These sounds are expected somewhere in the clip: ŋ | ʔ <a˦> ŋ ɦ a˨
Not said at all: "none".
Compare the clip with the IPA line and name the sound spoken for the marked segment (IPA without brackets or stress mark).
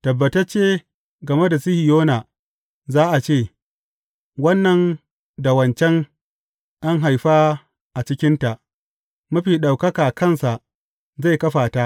a˦